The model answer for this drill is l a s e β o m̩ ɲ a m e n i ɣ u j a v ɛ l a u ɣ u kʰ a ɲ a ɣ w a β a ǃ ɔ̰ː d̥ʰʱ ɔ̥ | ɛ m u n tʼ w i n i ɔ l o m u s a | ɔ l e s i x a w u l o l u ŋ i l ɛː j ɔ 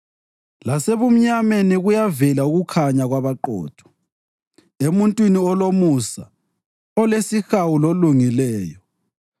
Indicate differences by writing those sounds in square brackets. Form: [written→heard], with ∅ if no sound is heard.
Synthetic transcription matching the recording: l a s e β [o→u] m̩ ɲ a m e n i ɣ u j a v ɛ l a u ɣ u kʰ a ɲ a ɣ w a β a ǃ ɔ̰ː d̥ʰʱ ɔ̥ | [ɛ→e] m u n tʼ w i n i ɔ l o m u s a | ɔ l e s i x a w u l o l u ŋ i l ɛː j ɔ